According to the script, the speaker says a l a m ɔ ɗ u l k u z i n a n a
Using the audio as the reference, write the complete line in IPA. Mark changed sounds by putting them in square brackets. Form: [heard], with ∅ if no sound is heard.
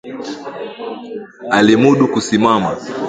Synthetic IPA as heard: a l [i] m [u] ɗ u [∅] k u [s] i [m] a [m] a